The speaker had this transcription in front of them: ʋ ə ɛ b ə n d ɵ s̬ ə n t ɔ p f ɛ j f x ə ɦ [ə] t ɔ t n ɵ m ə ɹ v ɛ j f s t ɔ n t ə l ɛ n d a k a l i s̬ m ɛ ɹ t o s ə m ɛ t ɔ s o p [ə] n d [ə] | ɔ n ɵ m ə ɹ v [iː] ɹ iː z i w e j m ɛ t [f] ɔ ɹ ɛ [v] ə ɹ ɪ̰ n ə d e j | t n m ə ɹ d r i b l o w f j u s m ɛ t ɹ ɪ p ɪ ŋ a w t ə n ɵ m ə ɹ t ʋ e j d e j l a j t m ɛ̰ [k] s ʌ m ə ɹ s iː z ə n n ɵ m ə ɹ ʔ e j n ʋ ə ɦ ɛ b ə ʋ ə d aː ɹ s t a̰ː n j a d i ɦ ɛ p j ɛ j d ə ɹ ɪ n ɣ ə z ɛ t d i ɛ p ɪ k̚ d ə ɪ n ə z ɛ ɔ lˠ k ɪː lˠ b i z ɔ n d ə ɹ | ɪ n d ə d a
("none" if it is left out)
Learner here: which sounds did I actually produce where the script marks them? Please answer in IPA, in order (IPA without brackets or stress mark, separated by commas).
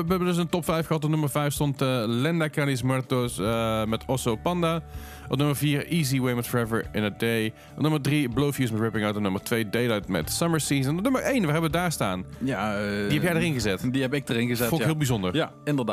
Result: ɑ, ɑ, a, iː, f, v, t